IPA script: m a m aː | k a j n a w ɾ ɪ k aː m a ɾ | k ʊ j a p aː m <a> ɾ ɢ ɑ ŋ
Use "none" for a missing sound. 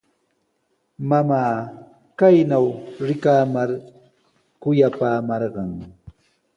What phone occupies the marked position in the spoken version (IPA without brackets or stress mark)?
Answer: ɑ